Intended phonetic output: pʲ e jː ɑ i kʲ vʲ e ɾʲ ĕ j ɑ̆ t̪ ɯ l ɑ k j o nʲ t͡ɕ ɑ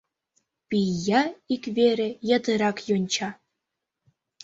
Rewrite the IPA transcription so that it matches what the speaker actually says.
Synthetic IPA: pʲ i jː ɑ i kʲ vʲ e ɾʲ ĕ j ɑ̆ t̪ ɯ ɾ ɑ k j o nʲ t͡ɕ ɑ